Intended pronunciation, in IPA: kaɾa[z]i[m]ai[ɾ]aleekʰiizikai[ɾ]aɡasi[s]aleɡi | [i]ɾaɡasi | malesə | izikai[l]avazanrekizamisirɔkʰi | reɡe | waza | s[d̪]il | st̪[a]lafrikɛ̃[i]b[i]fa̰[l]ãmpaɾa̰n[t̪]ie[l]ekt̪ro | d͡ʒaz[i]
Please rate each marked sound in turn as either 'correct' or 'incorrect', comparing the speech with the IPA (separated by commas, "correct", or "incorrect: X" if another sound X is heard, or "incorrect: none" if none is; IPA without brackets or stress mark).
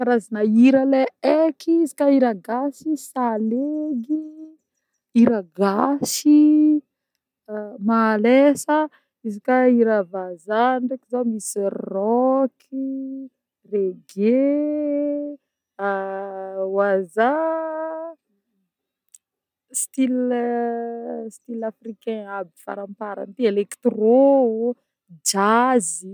correct, incorrect: n, correct, correct, correct, correct, incorrect: ɾ, incorrect: t̪, incorrect: i, incorrect: a, correct, incorrect: ɾ, correct, correct, correct